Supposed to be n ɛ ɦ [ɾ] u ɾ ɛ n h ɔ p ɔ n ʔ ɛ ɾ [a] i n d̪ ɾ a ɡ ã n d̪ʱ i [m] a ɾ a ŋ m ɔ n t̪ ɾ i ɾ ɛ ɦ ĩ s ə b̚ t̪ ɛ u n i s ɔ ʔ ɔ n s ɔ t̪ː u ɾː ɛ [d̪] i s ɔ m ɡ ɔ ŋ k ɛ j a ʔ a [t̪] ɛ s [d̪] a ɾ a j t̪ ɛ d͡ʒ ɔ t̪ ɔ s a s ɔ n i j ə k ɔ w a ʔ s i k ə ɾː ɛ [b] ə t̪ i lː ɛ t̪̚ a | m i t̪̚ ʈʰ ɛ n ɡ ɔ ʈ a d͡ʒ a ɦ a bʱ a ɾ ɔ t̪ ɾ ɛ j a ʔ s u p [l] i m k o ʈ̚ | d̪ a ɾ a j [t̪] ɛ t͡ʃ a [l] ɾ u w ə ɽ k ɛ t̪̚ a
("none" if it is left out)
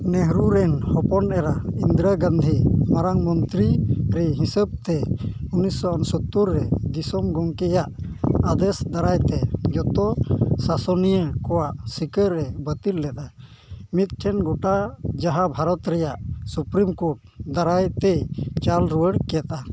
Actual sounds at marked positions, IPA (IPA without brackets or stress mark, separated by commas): ɾ, a, m, d̪, d̪, d̪, b, ɾ, t̪, l